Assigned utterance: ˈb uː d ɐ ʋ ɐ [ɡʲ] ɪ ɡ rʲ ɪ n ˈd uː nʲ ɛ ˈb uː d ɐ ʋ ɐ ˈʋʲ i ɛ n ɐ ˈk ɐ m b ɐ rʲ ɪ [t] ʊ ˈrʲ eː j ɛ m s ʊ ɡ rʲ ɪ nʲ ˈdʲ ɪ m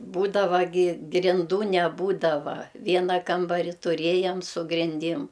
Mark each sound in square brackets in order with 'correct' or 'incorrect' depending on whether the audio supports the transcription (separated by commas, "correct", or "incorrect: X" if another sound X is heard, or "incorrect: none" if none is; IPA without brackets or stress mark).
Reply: correct, correct